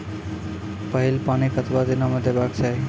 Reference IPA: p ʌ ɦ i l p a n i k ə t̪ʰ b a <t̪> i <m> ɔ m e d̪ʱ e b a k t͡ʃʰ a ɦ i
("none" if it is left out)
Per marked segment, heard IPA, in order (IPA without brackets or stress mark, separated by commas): d̪, n